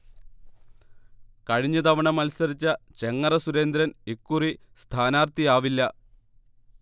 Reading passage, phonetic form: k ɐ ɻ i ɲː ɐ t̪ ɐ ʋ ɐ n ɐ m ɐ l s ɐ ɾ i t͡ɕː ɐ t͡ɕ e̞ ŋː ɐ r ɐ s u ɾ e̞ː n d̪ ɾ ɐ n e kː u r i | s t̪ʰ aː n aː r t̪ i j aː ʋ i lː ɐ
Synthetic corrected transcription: k ɐ ɻ i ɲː ɐ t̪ ɐ ʋ ɐ ɳ ɐ m ɐ l s ɐ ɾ i t͡ɕː ɐ t͡ɕ e̞ ŋː ɐ r ɐ s u ɾ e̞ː n d̪ ɾ ɐ n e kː u r i | s t̪ʰ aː n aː r t̪ i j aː ʋ i lː ɐ